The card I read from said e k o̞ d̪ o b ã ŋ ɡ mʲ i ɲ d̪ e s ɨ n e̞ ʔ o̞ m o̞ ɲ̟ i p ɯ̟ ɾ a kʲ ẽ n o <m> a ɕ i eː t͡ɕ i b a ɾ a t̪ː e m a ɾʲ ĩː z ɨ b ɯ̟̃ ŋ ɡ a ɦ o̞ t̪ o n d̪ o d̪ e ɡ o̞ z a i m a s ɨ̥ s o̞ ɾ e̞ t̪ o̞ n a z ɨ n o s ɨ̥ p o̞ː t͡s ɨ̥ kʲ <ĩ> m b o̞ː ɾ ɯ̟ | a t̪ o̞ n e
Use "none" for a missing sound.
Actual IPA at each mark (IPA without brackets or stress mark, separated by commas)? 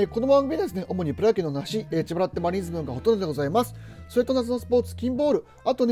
n, ĩ